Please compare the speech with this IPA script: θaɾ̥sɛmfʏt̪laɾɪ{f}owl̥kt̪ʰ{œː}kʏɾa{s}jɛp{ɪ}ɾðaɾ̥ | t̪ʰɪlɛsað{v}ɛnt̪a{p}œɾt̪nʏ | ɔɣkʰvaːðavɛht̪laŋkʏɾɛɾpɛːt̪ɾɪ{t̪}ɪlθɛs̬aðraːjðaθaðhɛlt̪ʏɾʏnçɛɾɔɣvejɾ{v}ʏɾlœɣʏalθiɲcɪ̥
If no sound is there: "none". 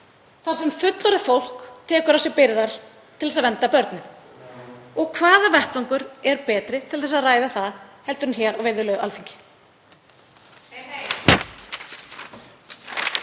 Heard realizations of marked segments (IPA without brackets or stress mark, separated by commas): f, ɛː, s, ɪ, v, p, t̪ʰ, ð